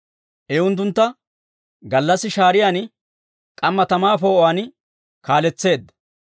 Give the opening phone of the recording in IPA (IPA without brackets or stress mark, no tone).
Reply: ʔ